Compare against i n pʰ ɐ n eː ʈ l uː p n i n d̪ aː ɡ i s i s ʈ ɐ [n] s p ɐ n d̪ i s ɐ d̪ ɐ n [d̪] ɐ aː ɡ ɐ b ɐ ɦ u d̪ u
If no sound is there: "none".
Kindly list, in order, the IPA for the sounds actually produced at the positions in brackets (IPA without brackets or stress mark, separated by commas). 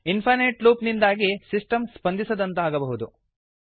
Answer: m, t̪